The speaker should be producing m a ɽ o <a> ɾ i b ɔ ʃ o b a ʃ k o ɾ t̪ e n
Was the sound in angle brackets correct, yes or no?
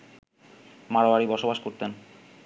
yes